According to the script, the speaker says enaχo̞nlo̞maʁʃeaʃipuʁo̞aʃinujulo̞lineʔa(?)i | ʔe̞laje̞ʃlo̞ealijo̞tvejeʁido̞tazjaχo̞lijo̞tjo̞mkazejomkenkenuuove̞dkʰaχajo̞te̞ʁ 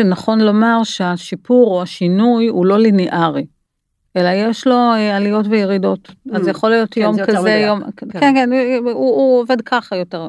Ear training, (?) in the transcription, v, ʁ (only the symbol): ʁ